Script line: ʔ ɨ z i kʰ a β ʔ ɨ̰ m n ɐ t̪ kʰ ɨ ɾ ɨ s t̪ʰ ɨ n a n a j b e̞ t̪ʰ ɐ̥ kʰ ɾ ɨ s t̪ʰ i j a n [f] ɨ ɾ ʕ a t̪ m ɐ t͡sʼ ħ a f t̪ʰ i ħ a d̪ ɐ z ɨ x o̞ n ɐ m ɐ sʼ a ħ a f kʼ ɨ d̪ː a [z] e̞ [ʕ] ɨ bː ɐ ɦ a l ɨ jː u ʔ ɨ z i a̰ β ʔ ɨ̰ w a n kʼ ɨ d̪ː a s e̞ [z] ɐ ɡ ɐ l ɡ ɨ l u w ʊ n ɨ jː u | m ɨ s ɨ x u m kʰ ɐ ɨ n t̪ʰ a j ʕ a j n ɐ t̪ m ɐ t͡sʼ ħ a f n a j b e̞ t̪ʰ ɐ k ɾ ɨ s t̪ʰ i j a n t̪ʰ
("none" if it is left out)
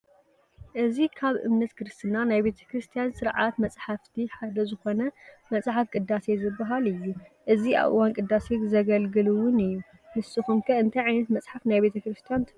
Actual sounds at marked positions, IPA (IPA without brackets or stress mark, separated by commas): s, s, z, z